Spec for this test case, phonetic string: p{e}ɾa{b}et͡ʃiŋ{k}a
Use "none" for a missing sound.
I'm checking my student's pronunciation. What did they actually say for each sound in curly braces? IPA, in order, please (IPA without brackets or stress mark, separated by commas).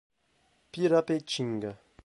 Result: i, p, ɡ